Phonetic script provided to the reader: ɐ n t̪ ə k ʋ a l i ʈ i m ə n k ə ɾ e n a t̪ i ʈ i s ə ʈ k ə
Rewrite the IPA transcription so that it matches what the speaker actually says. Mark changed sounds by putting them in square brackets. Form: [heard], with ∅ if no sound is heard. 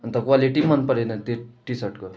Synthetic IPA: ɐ n t̪ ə k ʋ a l i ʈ i m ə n [p] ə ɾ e n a t̪ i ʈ i s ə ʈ k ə